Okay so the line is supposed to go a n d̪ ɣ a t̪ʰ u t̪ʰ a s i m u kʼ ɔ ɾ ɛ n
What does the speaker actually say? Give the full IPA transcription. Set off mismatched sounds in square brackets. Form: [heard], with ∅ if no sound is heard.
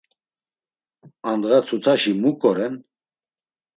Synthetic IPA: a n d̪ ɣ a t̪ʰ u t̪ʰ a [ʃ] i m u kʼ ɔ ɾ ɛ n

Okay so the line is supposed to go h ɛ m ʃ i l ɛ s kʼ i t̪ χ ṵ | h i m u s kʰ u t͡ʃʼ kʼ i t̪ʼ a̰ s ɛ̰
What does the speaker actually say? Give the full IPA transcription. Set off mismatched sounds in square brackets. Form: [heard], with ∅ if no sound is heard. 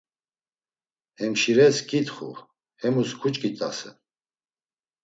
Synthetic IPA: h ɛ m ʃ i [ɾ] ɛ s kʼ i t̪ χ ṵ | h [ɛ] m u s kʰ u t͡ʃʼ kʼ i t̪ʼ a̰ s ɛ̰

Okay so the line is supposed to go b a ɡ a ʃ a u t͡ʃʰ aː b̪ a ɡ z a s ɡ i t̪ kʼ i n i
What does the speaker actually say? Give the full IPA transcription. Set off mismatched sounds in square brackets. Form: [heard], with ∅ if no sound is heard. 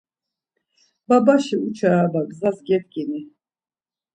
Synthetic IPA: b a [b] a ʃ [i] u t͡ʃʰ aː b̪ a ɡ z a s ɡ [ɛ] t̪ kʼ i n i

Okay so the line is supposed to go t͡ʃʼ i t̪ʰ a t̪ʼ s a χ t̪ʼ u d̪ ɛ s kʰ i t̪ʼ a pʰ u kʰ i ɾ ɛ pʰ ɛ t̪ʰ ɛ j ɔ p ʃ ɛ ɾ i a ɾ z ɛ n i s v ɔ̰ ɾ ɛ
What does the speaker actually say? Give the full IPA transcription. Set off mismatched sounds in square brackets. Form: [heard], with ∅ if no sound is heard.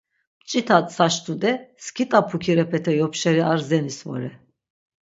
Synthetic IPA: t͡ʃʼ i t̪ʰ a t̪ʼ s a [ʃ] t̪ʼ u d̪ ɛ s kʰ i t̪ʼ a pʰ u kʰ i ɾ ɛ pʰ ɛ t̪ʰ ɛ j ɔ p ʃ ɛ ɾ i a ɾ z ɛ n i s v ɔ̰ ɾ ɛ

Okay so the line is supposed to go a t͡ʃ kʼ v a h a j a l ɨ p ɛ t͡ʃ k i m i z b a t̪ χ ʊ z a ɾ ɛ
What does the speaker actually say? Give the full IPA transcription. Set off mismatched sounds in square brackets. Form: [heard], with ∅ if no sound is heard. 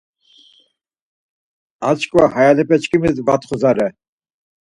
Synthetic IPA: a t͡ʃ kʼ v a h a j a l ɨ p ɛ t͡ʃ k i m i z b a t̪ χ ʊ z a ɾ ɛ

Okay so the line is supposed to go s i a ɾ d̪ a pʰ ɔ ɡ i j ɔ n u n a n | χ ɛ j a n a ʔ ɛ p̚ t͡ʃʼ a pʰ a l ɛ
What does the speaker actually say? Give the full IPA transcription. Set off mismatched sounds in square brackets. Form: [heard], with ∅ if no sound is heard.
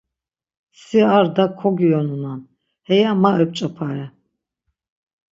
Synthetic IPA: s i a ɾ d̪ a [kʰ] ɔ ɡ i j ɔ n u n a n | [h] ɛ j a [m] a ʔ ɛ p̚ t͡ʃʼ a pʰ a [ɾ] ɛ

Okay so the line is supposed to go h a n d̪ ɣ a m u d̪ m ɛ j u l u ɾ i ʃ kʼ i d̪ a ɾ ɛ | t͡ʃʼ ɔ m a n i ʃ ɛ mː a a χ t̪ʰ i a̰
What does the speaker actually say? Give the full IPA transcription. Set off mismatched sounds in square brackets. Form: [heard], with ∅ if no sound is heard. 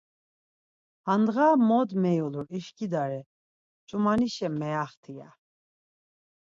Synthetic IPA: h a n d̪ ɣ a m [ɔ] d̪ m ɛ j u l u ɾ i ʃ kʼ i d̪ a ɾ ɛ | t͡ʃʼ [u] m a n i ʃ ɛ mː [ɛ] a χ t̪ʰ i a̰

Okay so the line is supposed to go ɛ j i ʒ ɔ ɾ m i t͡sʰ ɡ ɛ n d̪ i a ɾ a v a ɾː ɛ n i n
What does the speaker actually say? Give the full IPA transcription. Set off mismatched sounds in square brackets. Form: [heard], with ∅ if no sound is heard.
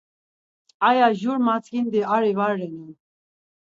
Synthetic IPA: [a] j [a] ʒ [u] ɾ m [a] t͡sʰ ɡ [i] n d̪ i a ɾ [i] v a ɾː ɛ n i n

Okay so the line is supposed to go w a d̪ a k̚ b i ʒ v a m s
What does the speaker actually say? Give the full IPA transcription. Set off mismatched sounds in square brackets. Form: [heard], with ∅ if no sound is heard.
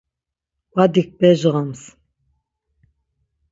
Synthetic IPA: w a d̪ [i] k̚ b [ɛ] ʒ [ʁ] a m s

